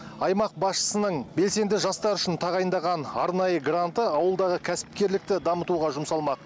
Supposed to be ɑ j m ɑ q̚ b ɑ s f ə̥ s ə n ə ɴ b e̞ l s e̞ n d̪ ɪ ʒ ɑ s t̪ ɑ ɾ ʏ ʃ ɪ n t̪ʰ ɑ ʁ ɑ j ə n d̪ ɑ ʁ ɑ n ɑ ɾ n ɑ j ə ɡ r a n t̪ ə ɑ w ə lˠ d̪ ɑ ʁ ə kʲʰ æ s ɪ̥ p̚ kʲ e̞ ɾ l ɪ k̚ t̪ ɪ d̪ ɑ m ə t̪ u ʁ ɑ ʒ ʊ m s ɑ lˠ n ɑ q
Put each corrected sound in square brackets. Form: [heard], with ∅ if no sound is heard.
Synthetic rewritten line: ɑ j m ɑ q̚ b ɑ s [ʃ] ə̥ s ə n ə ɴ b e̞ l s e̞ n d̪ ɪ ʒ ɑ s t̪ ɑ ɾ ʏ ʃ ɪ n t̪ʰ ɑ ʁ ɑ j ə n d̪ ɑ ʁ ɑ n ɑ ɾ n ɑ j ə ɡ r a n t̪ ə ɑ w ə lˠ d̪ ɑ ʁ ə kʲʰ æ s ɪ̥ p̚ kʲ e̞ ɾ l ɪ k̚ t̪ ɪ d̪ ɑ m ə t̪ u ʁ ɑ ʒ ʊ m s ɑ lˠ [m] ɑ q

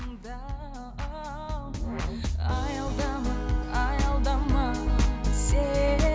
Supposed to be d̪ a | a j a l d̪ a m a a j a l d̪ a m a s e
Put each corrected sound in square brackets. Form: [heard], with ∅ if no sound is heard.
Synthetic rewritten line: d̪ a | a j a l d̪ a m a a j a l d̪ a m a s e

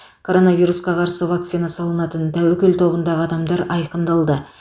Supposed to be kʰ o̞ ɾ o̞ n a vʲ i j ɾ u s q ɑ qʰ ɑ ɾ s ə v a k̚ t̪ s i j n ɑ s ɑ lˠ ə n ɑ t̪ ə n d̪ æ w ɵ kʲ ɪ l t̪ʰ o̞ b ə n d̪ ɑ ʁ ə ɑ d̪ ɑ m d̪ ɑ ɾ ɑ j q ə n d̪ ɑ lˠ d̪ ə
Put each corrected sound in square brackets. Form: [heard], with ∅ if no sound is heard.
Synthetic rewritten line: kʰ o̞ ɾ o̞ n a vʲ i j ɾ u s q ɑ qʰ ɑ ɾ s ə v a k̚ t̪ s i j n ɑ s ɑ lˠ ə n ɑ t̪ ə n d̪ æ w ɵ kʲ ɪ l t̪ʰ o̞ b ə n d̪ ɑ ʁ ə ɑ d̪ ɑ m d̪ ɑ ɾ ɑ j q ə n d̪ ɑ lˠ d̪ ə

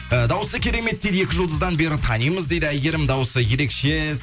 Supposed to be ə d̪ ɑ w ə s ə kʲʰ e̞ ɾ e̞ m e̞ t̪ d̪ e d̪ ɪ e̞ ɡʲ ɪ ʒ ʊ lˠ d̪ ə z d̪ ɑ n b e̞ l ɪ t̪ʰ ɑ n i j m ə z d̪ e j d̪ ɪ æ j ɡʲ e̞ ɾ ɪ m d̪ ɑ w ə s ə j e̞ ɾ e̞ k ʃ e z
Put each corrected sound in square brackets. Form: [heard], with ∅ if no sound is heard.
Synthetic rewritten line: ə d̪ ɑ w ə s ə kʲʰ e̞ ɾ e̞ m e̞ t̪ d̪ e d̪ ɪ e̞ [kʲ] ɪ ʒ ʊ lˠ d̪ ə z d̪ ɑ n b e̞ [ɾ] ɪ t̪ʰ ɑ n i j m ə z d̪ e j d̪ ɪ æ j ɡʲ e̞ ɾ ɪ m d̪ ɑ w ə s ə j e̞ ɾ e̞ k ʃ e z

